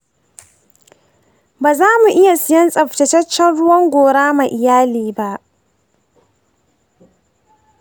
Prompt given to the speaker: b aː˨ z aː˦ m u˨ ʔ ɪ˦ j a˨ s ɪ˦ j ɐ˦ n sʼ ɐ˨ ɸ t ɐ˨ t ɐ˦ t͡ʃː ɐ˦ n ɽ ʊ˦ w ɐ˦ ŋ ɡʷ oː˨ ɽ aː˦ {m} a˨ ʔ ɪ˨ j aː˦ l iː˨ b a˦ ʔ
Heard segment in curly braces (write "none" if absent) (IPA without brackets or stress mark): m